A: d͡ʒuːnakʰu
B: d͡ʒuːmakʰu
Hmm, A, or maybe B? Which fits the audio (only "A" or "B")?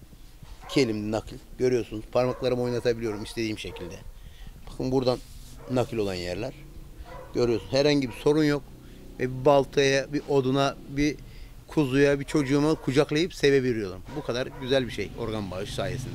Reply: B